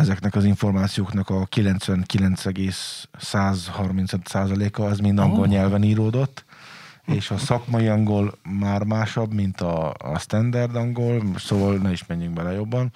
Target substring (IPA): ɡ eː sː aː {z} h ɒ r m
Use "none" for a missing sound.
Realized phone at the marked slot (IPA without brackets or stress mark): z